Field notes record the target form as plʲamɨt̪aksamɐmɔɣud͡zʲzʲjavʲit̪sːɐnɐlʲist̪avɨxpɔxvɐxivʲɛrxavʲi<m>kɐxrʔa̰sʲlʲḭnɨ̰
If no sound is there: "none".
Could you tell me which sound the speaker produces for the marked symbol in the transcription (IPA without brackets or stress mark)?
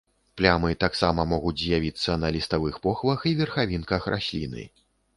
n